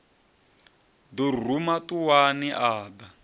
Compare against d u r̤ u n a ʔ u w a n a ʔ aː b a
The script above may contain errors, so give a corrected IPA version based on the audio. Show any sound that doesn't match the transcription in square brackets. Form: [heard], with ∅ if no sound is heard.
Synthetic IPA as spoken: d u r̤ u [m] a [t] u w a n [i] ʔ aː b a